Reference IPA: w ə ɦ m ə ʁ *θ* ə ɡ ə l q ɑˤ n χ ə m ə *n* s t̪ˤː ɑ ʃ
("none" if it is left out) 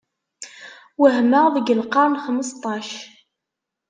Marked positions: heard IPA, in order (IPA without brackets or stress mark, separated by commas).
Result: ð, none